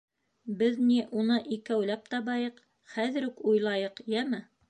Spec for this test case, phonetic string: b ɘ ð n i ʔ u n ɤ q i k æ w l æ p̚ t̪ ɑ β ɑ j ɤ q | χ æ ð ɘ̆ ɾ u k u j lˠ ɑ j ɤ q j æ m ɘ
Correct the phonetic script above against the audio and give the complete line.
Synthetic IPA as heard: b ɘ ð n i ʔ u n ɤ ʔ i k æ w l æ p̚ t̪ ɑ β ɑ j ɤ q | χ æ ð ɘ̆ ɾ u k u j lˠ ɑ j ɤ q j æ m ɘ